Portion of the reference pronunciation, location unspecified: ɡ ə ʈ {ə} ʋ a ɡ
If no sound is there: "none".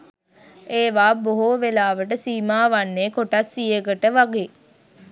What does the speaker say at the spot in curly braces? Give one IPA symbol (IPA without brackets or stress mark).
ə